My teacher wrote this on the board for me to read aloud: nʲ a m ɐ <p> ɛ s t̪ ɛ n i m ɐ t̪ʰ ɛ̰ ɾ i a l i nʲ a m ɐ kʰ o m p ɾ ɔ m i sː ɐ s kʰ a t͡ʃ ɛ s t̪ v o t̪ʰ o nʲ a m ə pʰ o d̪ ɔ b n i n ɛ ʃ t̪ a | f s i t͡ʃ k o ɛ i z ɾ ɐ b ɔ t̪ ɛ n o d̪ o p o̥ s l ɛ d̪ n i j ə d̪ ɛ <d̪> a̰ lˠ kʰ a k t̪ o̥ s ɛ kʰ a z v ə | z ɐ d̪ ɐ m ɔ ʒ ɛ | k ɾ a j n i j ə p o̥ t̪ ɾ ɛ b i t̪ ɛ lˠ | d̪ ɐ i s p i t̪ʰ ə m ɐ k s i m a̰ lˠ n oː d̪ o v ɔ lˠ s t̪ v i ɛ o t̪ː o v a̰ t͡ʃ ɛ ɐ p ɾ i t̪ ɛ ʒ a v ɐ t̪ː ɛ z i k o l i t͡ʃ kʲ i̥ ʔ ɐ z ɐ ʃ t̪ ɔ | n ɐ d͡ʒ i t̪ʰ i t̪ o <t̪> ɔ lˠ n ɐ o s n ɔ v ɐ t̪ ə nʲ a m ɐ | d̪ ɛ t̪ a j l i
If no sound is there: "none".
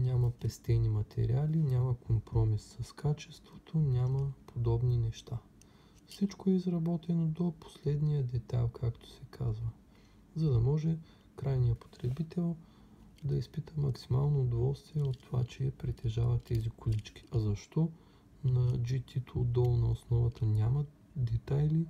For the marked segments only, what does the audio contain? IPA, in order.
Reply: p, t̪, d̪

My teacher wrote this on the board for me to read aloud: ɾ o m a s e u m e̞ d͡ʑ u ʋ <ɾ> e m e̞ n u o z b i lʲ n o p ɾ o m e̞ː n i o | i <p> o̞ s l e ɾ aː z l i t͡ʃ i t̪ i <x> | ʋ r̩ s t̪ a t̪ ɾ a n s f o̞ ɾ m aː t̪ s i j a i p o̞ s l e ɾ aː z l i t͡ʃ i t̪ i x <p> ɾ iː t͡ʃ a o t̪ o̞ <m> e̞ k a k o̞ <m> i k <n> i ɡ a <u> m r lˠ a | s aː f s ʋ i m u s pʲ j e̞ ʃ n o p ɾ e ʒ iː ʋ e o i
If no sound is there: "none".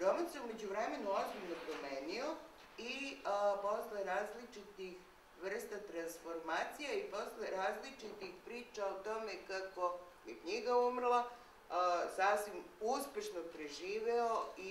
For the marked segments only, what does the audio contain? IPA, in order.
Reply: ɾ, p, x, p, m, m, ɲ, u

